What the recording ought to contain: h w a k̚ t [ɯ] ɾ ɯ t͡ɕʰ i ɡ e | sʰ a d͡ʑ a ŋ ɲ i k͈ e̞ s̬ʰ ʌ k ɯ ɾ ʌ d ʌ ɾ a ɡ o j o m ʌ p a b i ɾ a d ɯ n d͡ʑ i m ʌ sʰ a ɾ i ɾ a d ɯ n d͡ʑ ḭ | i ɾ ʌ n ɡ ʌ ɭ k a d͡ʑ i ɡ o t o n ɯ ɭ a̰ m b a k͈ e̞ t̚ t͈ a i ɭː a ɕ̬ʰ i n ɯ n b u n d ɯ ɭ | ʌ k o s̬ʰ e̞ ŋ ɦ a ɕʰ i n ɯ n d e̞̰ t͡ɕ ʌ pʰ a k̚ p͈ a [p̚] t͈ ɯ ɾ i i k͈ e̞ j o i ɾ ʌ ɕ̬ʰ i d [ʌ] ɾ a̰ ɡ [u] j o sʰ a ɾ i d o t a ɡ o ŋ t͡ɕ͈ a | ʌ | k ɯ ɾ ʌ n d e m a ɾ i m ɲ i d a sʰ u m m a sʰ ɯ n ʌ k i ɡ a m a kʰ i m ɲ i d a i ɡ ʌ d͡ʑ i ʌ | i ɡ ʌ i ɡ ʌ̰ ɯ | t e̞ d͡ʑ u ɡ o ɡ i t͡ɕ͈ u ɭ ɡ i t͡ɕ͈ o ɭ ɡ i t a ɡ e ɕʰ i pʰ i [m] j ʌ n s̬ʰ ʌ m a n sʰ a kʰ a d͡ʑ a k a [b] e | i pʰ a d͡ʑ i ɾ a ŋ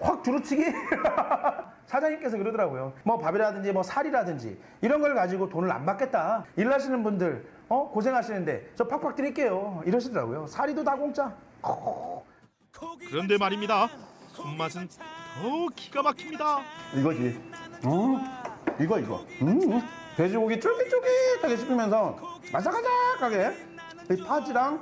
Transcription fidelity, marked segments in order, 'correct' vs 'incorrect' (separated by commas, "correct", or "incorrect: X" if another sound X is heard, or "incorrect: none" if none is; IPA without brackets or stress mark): incorrect: u, incorrect: k̚, correct, incorrect: o, correct, incorrect: ɡ